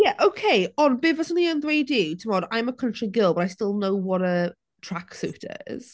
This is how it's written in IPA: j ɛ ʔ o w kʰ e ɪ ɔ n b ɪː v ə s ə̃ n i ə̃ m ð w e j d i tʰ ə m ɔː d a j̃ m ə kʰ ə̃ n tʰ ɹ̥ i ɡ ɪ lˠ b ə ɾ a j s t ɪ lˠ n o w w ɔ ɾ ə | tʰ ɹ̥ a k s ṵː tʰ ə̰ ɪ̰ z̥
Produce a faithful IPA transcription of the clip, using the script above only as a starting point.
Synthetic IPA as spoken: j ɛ ʔ o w kʰ e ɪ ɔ n b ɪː v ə s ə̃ n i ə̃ n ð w e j d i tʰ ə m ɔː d a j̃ m ə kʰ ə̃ n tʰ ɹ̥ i ɡ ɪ lˠ b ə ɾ a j s t ɪ lˠ n o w w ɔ ɾ ə | tʰ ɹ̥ a k s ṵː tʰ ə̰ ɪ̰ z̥